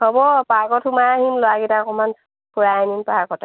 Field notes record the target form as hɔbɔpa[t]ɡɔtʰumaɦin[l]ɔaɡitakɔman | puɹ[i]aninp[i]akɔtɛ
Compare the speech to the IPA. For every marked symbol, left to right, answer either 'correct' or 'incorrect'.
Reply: incorrect: none, correct, incorrect: a, incorrect: a

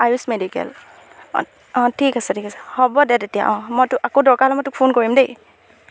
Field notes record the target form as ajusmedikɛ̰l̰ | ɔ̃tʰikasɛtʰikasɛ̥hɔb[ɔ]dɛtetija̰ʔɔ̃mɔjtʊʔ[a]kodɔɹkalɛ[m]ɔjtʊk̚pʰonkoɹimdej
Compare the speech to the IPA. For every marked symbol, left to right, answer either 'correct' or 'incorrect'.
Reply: correct, correct, correct

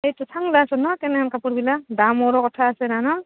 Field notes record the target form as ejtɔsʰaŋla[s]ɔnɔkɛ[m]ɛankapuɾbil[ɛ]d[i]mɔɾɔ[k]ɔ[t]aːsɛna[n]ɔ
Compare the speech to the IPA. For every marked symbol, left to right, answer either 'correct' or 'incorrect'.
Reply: correct, incorrect: n, incorrect: a, incorrect: a, correct, incorrect: tʰ, correct

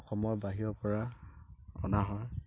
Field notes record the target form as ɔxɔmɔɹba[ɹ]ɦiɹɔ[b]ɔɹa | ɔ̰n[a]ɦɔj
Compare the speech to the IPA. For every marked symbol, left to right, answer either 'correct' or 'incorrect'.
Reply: incorrect: none, incorrect: p, correct

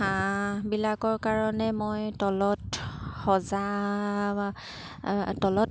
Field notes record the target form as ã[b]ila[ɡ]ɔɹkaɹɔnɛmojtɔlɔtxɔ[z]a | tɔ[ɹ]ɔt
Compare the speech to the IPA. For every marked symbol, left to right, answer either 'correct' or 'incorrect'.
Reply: correct, incorrect: k, correct, incorrect: l

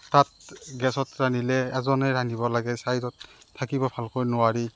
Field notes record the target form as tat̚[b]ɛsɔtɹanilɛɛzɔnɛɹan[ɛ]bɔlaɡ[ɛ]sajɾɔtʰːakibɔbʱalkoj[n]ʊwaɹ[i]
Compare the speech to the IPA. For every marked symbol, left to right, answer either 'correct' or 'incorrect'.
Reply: incorrect: ɡ, incorrect: i, correct, correct, correct

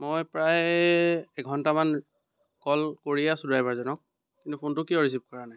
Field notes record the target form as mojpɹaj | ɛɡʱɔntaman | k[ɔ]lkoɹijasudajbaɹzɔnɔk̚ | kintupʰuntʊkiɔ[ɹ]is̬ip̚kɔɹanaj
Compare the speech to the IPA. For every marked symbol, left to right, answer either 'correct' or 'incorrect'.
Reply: correct, correct

